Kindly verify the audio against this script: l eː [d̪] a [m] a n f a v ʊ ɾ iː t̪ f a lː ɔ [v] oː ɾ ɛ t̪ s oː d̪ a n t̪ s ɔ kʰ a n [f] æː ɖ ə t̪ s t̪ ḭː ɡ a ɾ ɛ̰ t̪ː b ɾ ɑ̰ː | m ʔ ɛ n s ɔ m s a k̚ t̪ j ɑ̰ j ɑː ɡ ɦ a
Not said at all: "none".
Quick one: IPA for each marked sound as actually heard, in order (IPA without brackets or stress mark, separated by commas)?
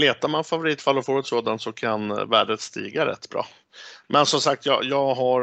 t̪, m, f, v